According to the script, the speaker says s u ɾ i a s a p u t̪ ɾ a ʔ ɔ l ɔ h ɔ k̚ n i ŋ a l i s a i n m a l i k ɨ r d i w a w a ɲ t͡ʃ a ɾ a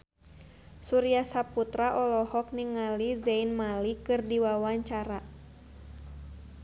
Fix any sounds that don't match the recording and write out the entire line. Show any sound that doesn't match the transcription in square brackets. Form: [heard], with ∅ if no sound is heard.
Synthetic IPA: s u ɾ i a s a p u t̪ ɾ a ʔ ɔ l ɔ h ɔ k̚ n i ŋ a l i [z] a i n m a l i k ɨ r d i w a w a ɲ t͡ʃ a ɾ a